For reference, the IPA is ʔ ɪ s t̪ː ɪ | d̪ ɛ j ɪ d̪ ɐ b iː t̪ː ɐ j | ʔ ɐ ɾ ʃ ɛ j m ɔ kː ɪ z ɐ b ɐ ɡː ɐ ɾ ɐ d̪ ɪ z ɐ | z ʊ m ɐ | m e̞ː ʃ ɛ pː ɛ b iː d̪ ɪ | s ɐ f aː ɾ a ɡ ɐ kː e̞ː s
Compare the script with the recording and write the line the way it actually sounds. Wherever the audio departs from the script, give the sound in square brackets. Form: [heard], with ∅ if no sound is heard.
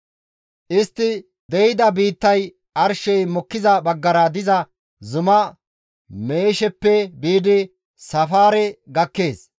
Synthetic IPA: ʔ ɪ s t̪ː ɪ | d̪ ɛ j ɪ d̪ ɐ b iː t̪ː ɐ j | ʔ ɐ ɾ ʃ ɛ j m ɔ kː ɪ z ɐ b ɐ ɡː ɐ ɾ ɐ d̪ ɪ z ɐ | z ʊ m ɐ | m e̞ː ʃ ɛ pː ɛ b iː d̪ ɪ | s ɐ f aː ɾ [ɛ] ɡ ɐ kː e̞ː s